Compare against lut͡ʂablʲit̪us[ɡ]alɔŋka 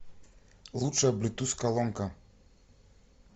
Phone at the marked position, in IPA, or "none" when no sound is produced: k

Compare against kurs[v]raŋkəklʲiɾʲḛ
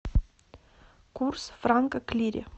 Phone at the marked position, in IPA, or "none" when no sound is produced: f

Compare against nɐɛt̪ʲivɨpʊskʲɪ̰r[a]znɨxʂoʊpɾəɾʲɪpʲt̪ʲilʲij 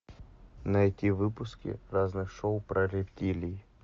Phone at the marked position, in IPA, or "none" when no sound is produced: a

